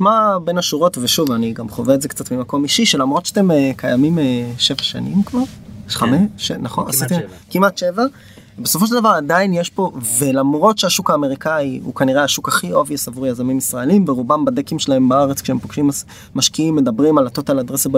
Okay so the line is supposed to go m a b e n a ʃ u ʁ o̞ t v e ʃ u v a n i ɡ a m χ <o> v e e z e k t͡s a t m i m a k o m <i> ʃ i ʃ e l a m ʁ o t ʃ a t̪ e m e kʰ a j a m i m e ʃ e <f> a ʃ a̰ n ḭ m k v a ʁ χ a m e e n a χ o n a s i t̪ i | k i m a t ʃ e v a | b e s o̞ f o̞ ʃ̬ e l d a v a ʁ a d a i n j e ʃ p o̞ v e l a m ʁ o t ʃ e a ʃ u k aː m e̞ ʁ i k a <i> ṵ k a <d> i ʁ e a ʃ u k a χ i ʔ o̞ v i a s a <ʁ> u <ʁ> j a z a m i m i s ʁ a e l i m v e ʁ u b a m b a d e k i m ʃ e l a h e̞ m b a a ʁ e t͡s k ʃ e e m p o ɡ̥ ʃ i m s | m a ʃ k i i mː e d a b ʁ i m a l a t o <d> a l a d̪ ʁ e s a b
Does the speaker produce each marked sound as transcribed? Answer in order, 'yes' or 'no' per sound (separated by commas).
yes, yes, no, yes, no, no, yes, no